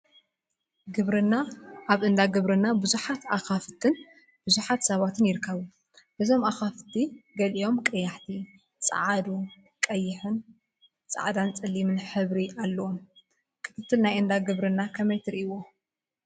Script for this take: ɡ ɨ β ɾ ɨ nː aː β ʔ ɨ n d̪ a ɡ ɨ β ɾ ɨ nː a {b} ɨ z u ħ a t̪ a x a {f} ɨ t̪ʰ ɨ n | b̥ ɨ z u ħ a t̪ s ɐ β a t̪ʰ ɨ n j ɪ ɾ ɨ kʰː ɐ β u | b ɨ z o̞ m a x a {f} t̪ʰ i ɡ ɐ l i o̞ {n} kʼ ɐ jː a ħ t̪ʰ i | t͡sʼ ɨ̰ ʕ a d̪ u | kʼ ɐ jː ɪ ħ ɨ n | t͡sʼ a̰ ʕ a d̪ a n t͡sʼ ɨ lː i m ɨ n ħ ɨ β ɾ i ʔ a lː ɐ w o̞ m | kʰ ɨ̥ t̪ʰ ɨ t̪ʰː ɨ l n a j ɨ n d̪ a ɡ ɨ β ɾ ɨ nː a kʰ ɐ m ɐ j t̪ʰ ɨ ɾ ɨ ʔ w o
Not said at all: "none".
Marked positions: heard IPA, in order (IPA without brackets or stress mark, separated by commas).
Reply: b, f, f, m